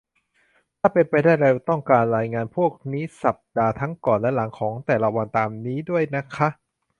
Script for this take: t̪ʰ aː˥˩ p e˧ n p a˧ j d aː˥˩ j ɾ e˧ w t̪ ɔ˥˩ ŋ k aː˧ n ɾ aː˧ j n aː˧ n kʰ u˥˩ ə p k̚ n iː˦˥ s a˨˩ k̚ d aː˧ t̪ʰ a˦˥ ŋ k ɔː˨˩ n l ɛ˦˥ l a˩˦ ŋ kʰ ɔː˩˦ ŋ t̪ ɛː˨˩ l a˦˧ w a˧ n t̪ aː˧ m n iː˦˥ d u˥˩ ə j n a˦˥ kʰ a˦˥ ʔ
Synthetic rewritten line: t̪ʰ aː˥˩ p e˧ n p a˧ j d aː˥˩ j ɾ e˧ w t̪ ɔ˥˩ ŋ k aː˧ n ɾ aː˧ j ŋ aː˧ n pʰ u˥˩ ə k̚ n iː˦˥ s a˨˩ p̚ d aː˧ t̪ʰ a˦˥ ŋ k ɔː˨˩ n l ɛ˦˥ l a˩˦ ŋ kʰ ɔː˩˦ ŋ t̪ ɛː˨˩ l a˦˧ w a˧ n t̪ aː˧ m n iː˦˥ d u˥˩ ə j n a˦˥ kʰ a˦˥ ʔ